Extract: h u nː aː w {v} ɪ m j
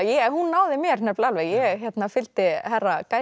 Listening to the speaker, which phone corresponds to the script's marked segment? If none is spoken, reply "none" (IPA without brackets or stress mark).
ð